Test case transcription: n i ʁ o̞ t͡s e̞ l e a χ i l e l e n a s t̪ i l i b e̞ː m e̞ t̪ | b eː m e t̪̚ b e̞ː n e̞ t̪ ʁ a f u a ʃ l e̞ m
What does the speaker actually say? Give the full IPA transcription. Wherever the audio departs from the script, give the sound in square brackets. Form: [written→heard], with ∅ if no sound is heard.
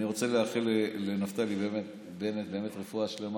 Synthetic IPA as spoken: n i ʁ o̞ t͡s e̞ l e a χ i l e l e n a [s→f] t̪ [i→a] l i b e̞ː m e̞ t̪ | b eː m e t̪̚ b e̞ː [n→m] e̞ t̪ ʁ [a→e] f u a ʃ l e̞ m